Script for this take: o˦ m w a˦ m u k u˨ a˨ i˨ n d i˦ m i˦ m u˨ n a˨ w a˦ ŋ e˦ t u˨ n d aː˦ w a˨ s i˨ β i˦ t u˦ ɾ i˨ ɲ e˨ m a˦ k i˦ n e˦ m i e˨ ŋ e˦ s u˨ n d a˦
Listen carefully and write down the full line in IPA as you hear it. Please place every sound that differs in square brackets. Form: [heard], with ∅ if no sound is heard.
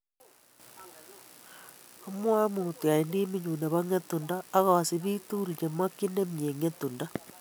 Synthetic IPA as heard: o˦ m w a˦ m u [t] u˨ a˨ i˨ n d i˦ m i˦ [ɲ] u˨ n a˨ [β] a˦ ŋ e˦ t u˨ n d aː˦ [ɣ] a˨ s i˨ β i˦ t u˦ ɾ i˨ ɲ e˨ m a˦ k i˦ n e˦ m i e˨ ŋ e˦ [t] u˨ n d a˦

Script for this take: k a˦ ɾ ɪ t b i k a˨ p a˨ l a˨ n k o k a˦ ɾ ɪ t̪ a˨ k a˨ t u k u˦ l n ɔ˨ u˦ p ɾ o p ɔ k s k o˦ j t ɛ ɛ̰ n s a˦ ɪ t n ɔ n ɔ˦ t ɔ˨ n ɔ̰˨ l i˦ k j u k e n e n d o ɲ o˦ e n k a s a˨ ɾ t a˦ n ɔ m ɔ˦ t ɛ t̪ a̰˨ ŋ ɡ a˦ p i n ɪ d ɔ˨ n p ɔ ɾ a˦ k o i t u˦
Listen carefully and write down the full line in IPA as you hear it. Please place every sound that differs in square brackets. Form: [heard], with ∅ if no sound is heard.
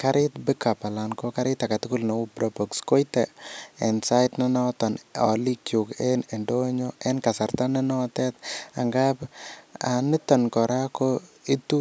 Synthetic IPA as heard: k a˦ ɾ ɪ t b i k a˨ p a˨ l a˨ n k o k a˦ ɾ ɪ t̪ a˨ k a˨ t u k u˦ l n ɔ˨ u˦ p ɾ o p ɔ k s k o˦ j t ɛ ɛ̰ n s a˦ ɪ t n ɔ n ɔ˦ t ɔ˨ n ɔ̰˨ l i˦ k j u k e n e n d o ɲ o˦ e n k a s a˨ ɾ t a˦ n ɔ [n] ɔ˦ t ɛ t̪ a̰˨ ŋ ɡ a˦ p [a] n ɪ [t] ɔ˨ n [k] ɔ ɾ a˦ k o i t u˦

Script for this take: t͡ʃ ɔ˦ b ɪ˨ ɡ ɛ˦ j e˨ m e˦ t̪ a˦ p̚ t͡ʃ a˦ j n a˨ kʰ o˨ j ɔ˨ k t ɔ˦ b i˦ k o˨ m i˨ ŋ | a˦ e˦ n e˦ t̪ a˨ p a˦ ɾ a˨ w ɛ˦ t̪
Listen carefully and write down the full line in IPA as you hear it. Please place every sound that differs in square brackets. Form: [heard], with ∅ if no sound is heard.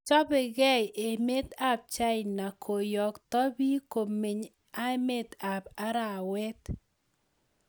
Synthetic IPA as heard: t͡ʃ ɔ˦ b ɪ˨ ɡ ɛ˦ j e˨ m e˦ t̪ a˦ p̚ t͡ʃ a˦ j n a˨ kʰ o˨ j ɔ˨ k t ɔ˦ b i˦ k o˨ m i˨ [ɲ] | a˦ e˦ [m] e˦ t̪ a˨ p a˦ ɾ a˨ w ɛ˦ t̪

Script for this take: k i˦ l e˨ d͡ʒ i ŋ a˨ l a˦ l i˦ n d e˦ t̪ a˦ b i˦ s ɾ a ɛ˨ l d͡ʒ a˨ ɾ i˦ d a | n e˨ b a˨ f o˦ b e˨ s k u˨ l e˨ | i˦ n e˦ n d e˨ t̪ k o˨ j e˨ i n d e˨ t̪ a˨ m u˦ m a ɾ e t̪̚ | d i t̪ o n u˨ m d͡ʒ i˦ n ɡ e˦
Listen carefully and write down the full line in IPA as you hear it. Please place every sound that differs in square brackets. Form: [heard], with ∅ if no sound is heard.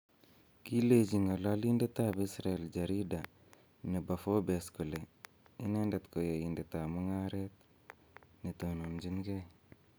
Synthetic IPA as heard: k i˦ l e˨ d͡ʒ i ŋ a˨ l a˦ l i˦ n d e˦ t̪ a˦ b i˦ s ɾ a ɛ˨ l d͡ʒ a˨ ɾ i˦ d a | n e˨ b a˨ f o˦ b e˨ s k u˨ l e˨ | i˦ n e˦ n d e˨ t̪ k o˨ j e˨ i n d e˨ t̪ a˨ m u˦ [ŋ] a ɾ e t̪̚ | [n] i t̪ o n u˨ m d͡ʒ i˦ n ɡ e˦

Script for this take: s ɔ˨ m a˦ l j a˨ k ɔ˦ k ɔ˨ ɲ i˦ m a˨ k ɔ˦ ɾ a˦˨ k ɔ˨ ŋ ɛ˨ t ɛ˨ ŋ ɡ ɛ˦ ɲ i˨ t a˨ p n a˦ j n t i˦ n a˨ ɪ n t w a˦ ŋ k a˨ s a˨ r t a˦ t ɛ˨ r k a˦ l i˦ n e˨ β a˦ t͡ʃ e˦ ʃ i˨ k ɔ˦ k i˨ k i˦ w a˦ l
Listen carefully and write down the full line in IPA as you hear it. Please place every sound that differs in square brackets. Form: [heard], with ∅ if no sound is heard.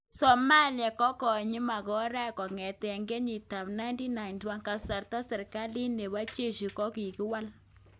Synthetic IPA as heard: s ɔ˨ m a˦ l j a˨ k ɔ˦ k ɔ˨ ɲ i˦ m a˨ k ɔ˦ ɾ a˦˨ k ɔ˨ ŋ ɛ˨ t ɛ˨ ŋ ɡ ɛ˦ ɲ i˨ t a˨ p n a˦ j n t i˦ n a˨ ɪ n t w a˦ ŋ k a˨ s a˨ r t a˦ [s] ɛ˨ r k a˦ l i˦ n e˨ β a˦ t͡ʃ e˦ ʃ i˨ k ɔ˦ k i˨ k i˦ w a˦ l

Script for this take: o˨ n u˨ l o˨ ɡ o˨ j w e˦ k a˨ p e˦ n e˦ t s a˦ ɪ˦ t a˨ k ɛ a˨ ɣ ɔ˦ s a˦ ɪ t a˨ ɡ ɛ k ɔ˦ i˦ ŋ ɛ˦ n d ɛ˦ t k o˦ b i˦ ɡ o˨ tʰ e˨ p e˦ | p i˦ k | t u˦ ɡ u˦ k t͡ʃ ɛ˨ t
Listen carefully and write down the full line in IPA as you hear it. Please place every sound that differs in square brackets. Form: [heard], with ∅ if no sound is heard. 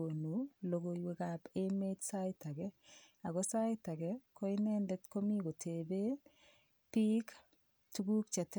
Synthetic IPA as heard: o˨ n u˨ l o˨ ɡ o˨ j w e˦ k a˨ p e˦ [m] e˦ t s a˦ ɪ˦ t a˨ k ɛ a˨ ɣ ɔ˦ s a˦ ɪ t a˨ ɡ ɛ k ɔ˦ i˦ [n] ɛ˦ n d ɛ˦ t k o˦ [m] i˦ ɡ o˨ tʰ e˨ [b] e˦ | p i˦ k | t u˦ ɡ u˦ k t͡ʃ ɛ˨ t

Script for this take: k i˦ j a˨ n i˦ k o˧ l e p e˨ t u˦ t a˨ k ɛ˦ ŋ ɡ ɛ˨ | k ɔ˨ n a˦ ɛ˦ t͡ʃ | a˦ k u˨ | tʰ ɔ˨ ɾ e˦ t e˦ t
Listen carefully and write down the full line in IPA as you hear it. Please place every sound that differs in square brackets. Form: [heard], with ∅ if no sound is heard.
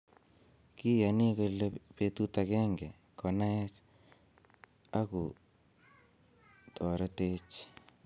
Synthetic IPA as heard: k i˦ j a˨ n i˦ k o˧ l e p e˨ t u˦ t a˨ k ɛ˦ ŋ ɡ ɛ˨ | k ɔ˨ n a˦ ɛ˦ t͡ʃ | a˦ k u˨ | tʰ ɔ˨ ɾ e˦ t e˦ [t͡ʃ]

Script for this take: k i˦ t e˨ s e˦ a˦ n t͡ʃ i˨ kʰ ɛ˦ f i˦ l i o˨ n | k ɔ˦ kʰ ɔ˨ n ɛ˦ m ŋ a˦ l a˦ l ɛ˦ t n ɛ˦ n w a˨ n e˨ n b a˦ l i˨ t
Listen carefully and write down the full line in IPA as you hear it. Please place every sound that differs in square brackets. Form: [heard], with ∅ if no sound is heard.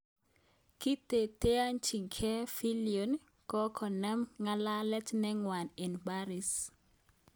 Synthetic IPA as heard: k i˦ t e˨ [t] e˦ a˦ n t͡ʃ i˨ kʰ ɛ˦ f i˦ l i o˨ n | k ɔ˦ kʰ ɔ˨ n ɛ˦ m ŋ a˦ l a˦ l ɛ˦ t n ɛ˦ [ŋ] w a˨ n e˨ n b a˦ [ɾ] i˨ [s]

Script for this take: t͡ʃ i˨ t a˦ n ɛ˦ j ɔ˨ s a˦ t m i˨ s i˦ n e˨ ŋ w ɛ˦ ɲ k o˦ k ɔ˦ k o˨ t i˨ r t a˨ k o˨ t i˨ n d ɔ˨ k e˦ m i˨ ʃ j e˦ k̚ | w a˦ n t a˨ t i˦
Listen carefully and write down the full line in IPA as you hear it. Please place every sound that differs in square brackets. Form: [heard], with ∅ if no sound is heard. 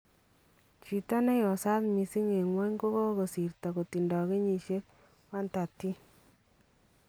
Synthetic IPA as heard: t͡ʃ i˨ t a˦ n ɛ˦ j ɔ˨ s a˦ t m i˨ s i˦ [ŋ] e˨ ŋ w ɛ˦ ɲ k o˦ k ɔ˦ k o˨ [s] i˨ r t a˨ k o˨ t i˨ n d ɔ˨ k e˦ [ɲ] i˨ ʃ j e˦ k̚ | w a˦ n t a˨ t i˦

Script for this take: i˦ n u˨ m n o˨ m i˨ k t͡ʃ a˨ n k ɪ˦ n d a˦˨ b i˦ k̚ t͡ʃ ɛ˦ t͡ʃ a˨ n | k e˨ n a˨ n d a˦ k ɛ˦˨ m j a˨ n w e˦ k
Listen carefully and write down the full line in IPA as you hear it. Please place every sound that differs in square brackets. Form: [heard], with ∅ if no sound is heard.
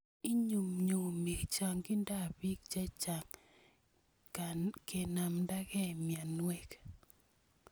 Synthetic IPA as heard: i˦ [ɲ] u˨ m [ɲ] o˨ m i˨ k t͡ʃ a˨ [ŋ] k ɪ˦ n d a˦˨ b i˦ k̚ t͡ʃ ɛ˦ t͡ʃ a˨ [ŋ] | k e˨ n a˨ [m] d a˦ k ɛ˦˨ m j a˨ n w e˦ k

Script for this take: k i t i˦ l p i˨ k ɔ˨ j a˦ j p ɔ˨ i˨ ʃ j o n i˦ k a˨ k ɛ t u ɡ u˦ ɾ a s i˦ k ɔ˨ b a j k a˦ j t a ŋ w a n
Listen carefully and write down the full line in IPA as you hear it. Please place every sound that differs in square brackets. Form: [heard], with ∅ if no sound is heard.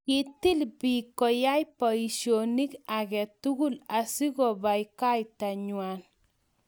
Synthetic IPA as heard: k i t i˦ l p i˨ k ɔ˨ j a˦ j p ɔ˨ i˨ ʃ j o n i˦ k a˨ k ɛ t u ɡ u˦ [l] a s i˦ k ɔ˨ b a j k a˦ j t a [ɲ] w a n

